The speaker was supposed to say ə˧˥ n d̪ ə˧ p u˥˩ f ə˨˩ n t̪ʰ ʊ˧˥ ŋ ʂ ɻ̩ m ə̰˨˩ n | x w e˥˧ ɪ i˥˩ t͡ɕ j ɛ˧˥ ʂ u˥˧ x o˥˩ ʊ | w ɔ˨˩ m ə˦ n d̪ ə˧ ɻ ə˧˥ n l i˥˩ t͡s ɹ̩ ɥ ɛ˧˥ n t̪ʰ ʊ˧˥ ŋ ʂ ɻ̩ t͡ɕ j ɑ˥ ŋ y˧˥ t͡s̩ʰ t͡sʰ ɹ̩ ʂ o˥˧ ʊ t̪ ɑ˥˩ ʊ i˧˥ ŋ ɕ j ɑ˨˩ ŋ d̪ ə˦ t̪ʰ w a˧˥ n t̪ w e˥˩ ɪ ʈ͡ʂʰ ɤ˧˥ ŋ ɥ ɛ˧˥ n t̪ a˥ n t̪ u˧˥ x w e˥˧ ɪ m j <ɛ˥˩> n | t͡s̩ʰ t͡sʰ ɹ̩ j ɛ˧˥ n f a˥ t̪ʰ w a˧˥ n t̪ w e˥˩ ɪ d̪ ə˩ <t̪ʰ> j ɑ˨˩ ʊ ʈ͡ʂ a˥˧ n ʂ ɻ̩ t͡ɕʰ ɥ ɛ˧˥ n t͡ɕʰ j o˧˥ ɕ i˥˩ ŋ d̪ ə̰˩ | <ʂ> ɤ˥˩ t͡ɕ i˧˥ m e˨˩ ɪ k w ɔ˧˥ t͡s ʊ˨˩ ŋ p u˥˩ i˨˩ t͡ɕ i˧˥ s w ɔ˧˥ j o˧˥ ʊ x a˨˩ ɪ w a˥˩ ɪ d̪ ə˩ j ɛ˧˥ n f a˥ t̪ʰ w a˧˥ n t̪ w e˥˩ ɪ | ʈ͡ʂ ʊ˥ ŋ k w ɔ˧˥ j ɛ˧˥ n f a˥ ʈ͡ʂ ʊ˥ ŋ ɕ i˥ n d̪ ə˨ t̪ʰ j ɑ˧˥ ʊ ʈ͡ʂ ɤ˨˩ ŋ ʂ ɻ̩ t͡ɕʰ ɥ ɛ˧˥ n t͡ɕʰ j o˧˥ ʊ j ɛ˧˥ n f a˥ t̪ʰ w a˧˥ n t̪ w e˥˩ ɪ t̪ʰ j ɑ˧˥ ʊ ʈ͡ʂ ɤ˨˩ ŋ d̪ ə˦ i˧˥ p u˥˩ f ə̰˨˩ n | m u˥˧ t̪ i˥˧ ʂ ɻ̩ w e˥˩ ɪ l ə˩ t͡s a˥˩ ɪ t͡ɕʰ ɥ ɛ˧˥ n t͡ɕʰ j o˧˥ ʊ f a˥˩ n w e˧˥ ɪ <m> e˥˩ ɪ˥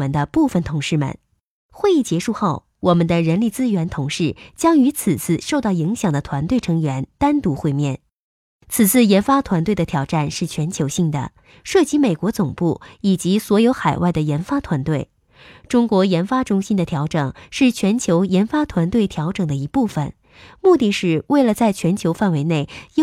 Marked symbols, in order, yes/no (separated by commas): yes, yes, yes, no